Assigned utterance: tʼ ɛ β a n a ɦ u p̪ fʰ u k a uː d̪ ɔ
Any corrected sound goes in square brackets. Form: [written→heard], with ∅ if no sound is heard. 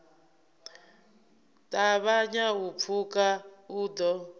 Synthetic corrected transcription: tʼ [ɛ→a] β a [n→ɲ] a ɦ u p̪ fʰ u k a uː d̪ ɔ